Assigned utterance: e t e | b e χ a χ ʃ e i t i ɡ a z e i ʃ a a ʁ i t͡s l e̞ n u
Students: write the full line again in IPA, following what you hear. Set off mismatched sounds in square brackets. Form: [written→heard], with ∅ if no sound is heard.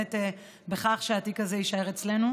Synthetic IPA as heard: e t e | b e χ a χ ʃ e [i→a] t i [ɡ→k] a z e i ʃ a [a→e] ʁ [i→e] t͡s l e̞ n u